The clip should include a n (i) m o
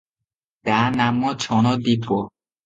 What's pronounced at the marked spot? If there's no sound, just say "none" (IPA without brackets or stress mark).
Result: a